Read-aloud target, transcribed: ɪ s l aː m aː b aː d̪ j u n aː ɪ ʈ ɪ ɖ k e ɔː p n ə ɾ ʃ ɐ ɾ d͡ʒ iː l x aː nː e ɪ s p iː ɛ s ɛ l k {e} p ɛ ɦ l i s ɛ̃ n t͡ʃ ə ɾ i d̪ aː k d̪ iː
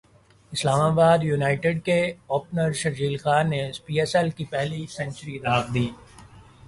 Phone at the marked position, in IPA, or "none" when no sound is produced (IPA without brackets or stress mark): i